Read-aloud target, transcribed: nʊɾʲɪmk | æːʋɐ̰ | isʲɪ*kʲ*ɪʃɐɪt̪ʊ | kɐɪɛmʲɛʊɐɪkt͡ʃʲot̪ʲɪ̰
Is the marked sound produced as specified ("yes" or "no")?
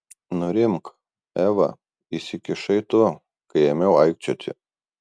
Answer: yes